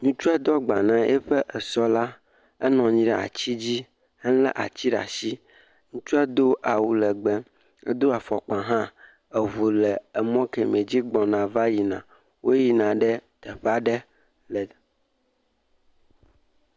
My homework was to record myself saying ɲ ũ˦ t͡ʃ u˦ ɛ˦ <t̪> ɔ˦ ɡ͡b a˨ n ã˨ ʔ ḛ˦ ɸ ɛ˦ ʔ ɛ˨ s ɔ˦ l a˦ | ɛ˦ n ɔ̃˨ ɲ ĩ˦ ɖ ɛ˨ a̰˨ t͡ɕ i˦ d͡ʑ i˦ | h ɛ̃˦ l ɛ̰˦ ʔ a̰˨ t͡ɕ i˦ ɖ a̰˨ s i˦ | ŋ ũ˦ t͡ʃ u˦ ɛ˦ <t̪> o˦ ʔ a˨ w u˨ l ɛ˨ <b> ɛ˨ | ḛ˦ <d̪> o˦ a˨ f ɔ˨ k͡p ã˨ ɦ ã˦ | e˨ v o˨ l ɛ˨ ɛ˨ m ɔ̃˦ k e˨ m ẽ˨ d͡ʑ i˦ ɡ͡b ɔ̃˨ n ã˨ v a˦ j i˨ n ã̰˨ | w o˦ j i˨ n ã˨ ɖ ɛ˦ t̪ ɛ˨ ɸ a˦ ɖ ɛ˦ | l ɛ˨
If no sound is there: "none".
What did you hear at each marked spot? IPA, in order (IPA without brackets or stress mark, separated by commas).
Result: d̪, d̪, ɡ͡b, d̪